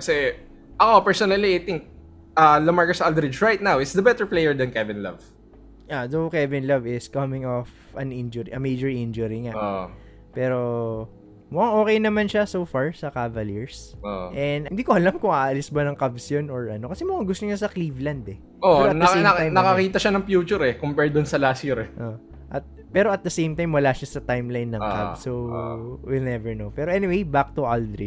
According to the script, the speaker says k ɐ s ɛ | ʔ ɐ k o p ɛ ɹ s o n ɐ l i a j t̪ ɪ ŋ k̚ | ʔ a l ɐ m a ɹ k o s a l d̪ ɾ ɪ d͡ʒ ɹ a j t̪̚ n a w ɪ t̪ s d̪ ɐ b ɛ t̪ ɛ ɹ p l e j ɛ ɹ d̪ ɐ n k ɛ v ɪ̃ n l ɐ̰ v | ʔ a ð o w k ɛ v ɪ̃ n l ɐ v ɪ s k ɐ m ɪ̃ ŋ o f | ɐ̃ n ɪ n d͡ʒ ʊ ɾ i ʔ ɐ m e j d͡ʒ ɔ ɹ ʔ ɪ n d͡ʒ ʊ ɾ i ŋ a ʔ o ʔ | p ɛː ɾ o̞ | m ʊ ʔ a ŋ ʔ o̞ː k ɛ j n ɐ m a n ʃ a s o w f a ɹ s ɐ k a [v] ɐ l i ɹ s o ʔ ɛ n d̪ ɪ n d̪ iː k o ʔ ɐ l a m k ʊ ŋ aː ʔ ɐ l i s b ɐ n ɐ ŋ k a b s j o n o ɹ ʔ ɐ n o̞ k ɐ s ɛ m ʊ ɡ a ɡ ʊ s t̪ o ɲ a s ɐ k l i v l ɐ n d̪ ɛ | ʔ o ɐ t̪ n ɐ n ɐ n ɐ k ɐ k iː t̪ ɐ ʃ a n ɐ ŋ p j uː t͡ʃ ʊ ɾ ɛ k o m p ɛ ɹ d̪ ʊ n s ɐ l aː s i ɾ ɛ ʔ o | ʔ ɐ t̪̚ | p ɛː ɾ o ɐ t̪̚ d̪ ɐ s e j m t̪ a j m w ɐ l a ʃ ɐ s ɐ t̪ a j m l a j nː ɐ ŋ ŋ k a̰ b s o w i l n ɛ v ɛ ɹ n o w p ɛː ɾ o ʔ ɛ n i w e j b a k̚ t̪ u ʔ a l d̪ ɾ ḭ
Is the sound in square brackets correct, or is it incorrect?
correct